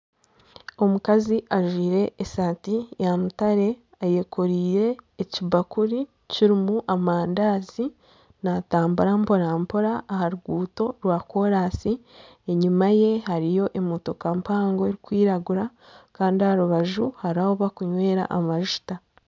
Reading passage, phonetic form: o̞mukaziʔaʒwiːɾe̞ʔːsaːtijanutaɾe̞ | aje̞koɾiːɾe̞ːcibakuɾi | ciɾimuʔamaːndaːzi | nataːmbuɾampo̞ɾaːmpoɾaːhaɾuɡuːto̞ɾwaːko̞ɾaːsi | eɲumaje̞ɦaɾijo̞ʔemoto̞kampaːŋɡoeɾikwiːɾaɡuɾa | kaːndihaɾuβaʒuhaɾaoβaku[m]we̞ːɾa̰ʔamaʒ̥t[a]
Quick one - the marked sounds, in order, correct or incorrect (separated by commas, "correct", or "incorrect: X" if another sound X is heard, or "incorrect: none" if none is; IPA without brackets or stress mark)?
incorrect: ɲ, correct